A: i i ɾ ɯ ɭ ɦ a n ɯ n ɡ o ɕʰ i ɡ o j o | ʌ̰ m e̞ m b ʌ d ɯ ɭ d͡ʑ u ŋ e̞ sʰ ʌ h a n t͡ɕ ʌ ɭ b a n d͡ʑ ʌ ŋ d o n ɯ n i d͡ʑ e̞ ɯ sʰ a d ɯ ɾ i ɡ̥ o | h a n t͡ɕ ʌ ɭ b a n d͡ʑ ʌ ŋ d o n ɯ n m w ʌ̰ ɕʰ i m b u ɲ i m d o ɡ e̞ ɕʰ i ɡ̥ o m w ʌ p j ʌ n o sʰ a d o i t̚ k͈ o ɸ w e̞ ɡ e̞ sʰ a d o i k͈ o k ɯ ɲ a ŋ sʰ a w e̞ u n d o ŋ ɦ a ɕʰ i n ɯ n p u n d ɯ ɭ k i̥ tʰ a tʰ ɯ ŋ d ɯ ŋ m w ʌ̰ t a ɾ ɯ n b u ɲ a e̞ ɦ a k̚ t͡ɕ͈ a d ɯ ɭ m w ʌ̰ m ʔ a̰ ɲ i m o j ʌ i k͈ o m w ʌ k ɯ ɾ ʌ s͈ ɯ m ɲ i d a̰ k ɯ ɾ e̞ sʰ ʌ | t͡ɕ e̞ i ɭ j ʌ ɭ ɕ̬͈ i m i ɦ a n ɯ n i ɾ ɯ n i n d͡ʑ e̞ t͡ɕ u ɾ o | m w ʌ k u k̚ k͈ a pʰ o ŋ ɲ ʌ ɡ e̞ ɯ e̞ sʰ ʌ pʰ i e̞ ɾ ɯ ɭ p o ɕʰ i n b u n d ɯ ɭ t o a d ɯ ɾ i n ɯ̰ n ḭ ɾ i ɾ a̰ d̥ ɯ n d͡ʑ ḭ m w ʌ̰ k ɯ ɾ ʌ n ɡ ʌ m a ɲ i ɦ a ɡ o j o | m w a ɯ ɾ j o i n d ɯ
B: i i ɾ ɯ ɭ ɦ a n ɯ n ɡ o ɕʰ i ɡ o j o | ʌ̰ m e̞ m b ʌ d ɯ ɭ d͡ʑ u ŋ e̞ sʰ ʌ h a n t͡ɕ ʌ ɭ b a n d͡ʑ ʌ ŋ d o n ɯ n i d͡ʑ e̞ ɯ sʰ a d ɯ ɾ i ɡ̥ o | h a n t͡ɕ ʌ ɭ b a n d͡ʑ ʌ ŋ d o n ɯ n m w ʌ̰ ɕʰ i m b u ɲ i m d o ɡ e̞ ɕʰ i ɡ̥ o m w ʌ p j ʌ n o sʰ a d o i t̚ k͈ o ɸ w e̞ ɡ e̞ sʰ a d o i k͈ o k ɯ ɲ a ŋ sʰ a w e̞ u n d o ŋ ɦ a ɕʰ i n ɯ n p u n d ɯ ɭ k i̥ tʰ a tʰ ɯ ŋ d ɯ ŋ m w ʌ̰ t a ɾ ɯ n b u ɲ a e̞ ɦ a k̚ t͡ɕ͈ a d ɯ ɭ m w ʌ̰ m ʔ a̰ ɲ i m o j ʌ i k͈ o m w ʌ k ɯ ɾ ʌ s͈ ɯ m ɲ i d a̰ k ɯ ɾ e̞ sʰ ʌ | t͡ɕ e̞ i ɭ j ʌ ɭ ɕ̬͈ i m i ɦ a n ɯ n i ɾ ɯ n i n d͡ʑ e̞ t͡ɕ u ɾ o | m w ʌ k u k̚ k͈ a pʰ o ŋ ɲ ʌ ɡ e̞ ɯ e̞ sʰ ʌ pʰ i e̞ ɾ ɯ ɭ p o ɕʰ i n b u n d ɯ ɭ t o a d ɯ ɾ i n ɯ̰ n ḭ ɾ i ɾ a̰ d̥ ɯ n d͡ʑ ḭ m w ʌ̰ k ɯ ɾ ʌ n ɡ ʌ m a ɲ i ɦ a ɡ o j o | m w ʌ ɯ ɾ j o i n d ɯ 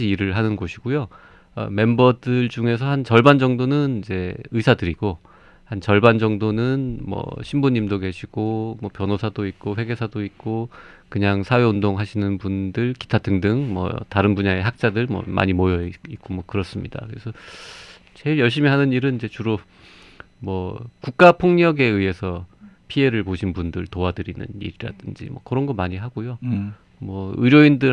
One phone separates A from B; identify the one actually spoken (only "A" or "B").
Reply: B